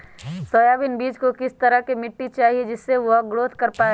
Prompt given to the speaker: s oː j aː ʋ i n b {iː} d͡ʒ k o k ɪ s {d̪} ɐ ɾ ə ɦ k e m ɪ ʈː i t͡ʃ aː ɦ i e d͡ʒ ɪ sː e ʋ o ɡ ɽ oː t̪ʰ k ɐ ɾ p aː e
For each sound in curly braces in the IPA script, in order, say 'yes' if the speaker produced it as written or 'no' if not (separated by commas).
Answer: yes, no